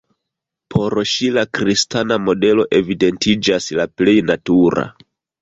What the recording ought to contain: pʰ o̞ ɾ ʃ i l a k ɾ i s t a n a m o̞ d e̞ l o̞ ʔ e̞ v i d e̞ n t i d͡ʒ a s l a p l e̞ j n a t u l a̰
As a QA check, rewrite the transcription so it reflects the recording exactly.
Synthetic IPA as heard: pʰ o̞ ɾ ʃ i l a k ɾ i s t a n a m o̞ d e̞ l o̞ ʔ e̞ v i d e̞ n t i d͡ʒ a s l a p l e̞ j n a t u ɾ a̰